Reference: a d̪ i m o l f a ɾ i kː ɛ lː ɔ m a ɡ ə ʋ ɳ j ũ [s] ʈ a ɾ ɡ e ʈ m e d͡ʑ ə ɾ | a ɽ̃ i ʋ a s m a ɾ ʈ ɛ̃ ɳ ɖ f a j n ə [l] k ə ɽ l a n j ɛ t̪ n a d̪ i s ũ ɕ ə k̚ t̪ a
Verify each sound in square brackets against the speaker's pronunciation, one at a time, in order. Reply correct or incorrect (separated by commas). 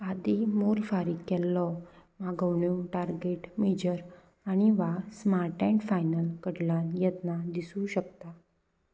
incorrect, correct